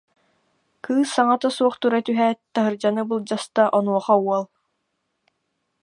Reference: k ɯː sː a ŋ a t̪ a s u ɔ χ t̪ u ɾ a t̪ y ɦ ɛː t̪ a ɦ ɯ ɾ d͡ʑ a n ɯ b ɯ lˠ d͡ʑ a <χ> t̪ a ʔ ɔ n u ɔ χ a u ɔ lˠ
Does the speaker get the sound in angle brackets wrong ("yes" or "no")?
yes